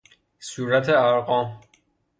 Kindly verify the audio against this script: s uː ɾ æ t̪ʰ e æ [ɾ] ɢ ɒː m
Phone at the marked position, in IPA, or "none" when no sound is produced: ɾ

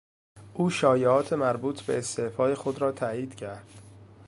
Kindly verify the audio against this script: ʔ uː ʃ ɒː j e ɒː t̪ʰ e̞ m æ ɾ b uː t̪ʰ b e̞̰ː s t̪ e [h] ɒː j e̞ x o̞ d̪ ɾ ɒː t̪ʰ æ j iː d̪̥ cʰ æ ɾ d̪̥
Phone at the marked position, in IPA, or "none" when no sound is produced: f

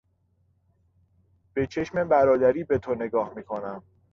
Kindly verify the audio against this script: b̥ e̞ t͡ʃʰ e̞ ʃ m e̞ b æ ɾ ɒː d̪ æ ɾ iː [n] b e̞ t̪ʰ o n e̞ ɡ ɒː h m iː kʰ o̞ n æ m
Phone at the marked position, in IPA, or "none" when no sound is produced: none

